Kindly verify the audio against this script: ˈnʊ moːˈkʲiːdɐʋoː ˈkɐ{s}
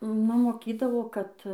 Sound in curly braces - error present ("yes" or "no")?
yes